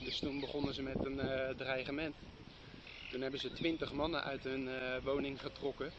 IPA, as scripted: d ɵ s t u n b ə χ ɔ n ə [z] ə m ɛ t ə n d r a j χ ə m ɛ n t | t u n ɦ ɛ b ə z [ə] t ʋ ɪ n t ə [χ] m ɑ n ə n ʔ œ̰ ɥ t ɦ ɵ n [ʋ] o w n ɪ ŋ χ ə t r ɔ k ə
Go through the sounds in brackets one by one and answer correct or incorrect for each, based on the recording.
correct, correct, correct, correct

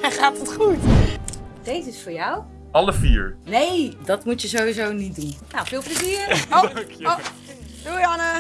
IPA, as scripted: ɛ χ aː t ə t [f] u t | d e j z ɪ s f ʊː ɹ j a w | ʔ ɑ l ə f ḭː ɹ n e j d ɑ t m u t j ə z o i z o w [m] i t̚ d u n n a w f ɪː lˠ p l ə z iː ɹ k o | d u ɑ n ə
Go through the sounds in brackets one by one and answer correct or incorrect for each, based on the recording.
incorrect: χ, incorrect: n

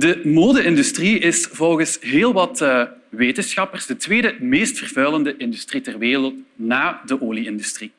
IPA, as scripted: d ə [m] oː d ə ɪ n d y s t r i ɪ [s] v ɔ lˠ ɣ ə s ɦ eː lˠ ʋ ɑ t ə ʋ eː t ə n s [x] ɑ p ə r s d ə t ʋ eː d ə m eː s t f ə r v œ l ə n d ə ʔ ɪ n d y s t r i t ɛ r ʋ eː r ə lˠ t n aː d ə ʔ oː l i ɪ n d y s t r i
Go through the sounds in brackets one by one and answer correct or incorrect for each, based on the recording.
correct, correct, correct

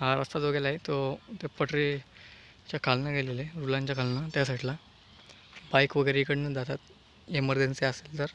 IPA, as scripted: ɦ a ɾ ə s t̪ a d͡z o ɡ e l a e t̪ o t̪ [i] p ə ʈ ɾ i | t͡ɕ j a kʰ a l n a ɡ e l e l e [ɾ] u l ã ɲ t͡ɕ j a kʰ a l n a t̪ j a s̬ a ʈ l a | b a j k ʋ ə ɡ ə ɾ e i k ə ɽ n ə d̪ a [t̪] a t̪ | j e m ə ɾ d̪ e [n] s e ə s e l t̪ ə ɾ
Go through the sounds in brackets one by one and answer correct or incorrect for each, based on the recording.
incorrect: e, correct, correct, correct

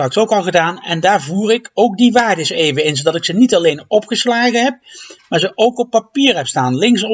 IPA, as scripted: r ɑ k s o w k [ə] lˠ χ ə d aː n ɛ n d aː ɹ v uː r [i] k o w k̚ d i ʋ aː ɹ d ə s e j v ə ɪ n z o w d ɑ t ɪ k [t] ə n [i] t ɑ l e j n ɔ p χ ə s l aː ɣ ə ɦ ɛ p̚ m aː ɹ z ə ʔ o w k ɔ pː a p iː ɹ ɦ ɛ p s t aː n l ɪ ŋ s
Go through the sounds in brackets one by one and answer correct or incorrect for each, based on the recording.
incorrect: ɑ, incorrect: ɪ, incorrect: s, correct

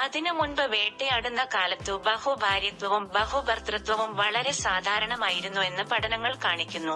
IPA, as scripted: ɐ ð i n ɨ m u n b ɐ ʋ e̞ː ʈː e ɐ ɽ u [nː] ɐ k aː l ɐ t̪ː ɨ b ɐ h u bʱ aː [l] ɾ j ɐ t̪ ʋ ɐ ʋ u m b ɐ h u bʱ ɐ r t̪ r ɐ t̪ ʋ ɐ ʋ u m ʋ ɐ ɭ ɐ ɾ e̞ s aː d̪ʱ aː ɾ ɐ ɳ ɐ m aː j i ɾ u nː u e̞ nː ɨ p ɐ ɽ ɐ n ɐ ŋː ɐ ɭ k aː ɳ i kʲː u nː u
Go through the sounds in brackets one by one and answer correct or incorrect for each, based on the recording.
correct, incorrect: none

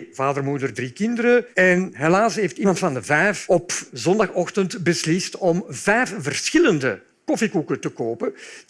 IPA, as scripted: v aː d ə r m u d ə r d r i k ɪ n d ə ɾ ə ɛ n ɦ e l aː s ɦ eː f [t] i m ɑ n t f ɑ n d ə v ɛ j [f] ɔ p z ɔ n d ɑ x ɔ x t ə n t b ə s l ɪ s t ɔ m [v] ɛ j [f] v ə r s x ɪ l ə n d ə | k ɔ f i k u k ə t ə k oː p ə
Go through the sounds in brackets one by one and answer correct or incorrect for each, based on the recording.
correct, correct, correct, correct

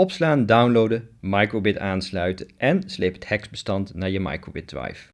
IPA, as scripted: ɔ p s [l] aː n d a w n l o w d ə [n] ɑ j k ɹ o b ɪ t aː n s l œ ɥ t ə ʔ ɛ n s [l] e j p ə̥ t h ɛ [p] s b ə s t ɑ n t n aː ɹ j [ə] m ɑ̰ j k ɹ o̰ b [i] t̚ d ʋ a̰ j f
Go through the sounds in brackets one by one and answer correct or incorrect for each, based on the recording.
correct, incorrect: m, correct, incorrect: k, correct, incorrect: ɪ

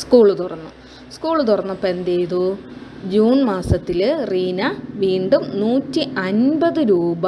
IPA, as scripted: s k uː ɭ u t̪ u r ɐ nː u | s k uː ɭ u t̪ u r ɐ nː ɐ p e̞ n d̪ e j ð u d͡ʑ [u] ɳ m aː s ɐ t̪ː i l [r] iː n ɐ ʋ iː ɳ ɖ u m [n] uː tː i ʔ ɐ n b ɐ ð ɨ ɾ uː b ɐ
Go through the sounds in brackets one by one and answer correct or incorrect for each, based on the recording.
incorrect: uː, correct, correct

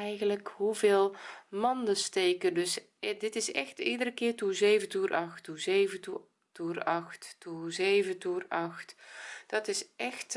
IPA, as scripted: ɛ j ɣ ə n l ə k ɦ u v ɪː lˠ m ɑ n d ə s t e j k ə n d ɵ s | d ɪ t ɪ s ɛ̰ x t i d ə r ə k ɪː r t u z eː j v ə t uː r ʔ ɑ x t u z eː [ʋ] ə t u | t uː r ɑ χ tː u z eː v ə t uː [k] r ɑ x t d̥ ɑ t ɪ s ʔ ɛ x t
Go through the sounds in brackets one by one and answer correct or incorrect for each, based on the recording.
incorrect: v, incorrect: none

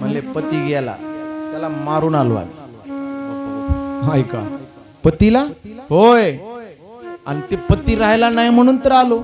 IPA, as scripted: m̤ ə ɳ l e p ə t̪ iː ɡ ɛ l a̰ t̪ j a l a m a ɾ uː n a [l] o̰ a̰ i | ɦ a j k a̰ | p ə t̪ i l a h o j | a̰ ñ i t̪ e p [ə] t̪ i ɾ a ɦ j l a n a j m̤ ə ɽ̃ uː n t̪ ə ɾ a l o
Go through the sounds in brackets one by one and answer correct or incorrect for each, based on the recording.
correct, correct

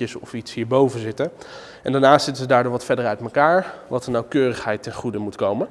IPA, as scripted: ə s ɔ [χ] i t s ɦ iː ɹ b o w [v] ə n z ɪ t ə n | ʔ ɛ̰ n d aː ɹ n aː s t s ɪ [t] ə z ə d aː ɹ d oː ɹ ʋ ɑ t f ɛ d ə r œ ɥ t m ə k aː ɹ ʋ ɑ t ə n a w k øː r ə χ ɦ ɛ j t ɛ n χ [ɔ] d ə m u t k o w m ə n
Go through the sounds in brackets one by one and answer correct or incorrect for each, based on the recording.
incorrect: f, correct, correct, incorrect: u

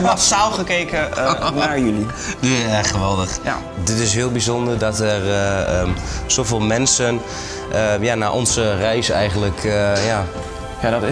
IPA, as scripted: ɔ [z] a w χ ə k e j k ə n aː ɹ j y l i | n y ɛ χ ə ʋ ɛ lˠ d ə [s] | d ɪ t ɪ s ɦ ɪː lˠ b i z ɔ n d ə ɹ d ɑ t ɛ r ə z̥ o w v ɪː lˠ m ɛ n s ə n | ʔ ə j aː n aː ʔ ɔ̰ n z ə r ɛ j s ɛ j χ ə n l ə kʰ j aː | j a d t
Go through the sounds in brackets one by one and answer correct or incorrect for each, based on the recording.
incorrect: s, incorrect: χ

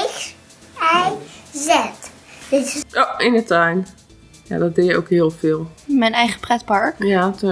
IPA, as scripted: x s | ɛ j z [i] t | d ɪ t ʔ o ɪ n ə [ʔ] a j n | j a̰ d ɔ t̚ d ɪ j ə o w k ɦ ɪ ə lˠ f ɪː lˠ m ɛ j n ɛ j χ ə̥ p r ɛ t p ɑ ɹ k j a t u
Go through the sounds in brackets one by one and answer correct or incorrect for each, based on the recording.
incorrect: ɛ, incorrect: t

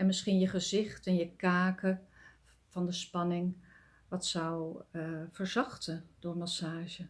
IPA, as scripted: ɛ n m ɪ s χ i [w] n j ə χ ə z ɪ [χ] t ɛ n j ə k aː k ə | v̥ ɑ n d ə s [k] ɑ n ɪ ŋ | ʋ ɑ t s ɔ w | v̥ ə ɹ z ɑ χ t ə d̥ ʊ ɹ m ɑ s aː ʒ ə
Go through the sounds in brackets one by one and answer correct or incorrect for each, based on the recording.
incorrect: none, correct, incorrect: p

